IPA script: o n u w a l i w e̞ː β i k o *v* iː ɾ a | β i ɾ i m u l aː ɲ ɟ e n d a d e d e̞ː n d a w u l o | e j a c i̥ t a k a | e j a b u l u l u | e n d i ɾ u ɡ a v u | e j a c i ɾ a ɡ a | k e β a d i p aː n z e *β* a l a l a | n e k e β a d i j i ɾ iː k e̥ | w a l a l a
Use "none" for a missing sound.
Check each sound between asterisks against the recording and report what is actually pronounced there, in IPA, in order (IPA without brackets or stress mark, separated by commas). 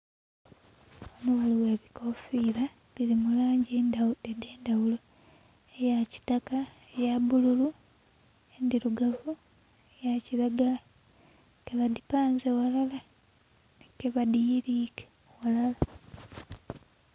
f, w